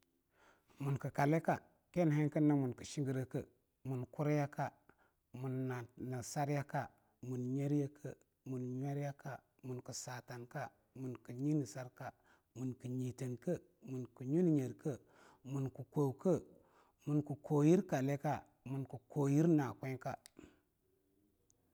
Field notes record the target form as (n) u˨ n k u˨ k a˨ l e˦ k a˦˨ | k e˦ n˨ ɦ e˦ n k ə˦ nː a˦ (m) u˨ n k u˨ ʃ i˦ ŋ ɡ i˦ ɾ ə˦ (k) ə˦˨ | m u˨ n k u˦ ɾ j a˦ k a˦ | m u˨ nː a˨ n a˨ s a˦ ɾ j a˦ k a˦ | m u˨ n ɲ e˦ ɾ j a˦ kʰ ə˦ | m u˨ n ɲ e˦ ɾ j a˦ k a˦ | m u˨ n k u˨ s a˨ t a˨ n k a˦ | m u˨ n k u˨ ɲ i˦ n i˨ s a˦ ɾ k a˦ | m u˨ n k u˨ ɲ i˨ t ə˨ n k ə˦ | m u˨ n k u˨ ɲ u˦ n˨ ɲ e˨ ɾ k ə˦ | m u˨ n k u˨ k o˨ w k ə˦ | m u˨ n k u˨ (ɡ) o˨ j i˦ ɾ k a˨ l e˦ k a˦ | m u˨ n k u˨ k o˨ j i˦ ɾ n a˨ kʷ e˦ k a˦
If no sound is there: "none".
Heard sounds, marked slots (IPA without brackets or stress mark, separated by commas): m, m, k, k